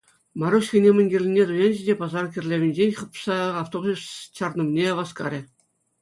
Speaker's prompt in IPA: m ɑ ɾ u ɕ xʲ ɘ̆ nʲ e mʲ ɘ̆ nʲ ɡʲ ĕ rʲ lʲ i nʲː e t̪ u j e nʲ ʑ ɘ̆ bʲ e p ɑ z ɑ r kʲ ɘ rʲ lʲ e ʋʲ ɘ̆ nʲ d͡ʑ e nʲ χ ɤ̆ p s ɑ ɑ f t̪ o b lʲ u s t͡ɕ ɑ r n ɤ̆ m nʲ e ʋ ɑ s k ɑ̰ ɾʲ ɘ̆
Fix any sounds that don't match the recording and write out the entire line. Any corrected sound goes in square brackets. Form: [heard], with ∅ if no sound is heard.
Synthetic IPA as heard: m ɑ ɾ u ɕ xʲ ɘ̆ nʲ e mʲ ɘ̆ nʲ ɡʲ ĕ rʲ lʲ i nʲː e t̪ u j e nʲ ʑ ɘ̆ [dʲ] e p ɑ z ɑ r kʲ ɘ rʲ lʲ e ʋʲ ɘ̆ nʲ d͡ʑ e nʲ χ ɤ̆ p s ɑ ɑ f t̪ o b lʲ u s t͡ɕ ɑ r n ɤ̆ m nʲ e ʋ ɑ s k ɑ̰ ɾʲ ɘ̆